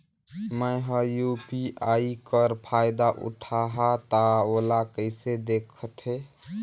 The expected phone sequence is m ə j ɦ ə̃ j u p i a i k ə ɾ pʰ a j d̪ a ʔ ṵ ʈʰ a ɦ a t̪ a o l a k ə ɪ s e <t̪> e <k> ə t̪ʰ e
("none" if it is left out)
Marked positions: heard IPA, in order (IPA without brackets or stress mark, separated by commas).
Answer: d̪, kʰ